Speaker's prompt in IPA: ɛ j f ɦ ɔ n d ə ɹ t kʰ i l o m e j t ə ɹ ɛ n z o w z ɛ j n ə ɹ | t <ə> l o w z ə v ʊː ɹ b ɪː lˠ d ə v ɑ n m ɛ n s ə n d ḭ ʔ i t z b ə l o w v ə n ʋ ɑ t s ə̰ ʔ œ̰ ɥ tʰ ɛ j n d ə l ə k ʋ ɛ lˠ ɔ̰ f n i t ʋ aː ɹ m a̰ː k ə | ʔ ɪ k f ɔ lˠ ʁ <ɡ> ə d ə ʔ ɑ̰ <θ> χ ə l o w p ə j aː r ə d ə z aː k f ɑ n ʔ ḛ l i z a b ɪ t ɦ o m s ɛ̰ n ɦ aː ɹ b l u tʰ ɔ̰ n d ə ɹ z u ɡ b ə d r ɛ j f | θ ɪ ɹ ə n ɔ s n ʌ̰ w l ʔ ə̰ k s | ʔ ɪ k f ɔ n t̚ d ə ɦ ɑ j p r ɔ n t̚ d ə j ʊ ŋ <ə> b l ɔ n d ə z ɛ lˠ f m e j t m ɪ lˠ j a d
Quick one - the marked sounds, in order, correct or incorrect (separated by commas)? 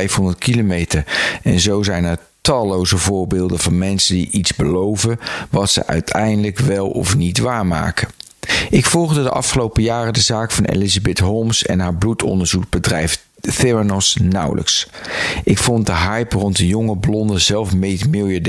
incorrect, incorrect, incorrect, correct